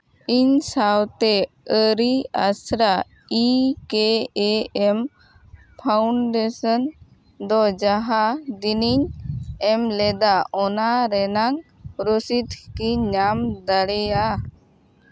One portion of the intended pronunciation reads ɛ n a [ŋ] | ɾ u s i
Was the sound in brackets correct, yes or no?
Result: yes